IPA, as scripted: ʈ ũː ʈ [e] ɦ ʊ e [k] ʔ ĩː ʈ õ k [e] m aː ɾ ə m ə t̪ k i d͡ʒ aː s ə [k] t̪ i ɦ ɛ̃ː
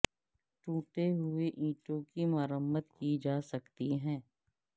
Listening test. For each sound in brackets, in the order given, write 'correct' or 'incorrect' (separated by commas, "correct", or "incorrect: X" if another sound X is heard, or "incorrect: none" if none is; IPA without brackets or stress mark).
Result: correct, incorrect: none, incorrect: i, correct